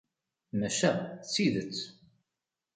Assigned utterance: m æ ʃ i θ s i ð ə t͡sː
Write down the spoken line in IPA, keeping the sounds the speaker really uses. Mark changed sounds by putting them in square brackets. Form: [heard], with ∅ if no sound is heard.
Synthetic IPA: m æ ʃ [æ] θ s i ð ə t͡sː